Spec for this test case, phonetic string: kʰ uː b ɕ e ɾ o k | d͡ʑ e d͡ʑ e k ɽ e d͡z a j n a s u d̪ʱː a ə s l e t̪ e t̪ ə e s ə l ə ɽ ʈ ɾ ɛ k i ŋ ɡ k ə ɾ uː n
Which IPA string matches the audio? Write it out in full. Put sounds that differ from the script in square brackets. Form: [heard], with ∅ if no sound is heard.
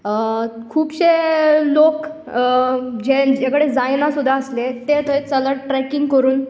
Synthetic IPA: kʰ uː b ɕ e [l] o k | d͡ʑ e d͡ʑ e k ɽ e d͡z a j n a s u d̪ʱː a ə s l e t̪ e t̪ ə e [t͡s] ə l ə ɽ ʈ ɾ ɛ k i ŋ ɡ k ə ɾ uː n